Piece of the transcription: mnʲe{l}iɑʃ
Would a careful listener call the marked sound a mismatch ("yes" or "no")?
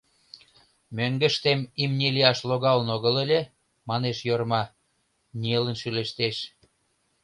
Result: no